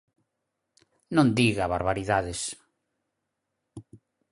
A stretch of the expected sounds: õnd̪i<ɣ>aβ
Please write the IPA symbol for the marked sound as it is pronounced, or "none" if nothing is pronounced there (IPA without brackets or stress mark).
ɣ